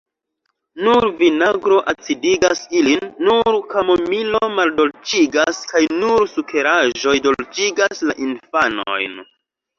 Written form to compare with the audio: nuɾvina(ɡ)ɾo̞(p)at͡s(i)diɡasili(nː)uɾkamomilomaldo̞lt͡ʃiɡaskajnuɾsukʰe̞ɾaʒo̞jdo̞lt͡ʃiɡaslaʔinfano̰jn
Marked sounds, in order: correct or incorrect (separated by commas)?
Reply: correct, incorrect, correct, correct